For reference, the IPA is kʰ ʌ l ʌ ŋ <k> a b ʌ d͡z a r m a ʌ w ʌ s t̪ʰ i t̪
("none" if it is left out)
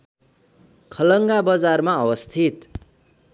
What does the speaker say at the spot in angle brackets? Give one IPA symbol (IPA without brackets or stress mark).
ɡ